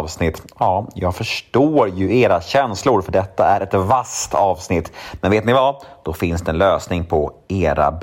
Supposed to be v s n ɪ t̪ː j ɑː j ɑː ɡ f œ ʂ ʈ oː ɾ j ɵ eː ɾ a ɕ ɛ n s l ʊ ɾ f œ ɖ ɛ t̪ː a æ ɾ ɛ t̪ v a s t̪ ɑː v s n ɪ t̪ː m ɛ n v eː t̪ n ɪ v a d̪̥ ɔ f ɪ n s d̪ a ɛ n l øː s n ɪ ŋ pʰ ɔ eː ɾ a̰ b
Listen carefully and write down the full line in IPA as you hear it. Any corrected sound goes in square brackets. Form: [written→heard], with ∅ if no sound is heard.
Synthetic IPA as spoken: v s n ɪ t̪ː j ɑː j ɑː ɡ f œ ʂ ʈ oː ɾ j ɵ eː ɾ a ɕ ɛ n s l ʊ ɾ f œ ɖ ɛ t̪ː a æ ɾ ɛ t̪ v a s t̪ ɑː v s n ɪ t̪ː m ɛ n v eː t̪ n ɪ v a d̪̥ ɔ f ɪ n s d̪ [a→ɛ] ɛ n l øː s n ɪ ŋ pʰ ɔ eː ɾ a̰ b